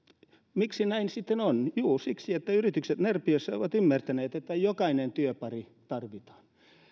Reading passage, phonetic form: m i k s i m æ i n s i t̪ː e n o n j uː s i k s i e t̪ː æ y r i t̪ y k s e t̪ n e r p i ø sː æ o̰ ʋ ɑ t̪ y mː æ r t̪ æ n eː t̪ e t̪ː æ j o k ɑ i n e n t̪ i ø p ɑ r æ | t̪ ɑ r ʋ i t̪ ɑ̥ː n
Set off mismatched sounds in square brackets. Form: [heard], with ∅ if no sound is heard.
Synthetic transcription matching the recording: m i k s i [n] æ i n s i t̪ː e n o n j uː s i k s i e t̪ː æ y r i t̪ y k s e t̪ n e r p i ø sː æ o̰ ʋ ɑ t̪ y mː æ r t̪ æ n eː t̪ e t̪ː æ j o k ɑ i n e n t̪ [y] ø p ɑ r [i] | t̪ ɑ r ʋ i t̪ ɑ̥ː n